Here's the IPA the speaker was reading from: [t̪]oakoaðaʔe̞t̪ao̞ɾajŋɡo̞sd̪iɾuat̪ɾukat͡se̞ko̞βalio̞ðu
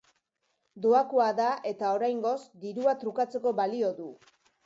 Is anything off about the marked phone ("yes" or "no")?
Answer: yes